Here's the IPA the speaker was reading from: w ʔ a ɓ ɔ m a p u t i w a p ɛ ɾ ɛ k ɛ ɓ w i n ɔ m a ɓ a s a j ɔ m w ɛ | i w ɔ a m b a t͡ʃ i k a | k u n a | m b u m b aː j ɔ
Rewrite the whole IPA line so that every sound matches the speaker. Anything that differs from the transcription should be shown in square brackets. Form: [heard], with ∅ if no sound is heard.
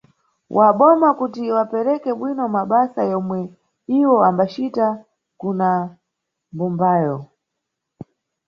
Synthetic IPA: w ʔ a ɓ ɔ m a [k] u t i w a p ɛ ɾ ɛ k ɛ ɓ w i n ɔ m a ɓ a s a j ɔ m w ɛ | i w ɔ a m b a t͡ʃ i [t] a | k u n a | m b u m b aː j ɔ